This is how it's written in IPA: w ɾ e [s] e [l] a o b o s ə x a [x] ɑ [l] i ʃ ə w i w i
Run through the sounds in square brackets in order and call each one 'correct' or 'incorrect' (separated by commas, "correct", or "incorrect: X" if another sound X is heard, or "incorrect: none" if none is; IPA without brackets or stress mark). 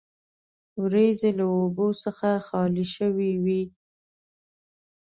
incorrect: z, correct, correct, correct